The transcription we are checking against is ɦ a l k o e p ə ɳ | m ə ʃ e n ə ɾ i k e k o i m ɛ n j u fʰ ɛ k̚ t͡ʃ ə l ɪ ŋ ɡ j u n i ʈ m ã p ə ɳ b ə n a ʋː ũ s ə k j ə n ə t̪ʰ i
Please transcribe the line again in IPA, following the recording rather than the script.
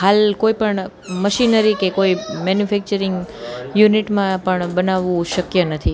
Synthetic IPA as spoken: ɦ a l k o i p ə ɳ | m ə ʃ i n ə ɾ i k e k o i m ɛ n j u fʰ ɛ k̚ t͡ʃ ə ɾ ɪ ŋ ɡ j u n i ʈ m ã p ə ɳ b ə n a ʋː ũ ʃ ə k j ə n ə t̪ʰ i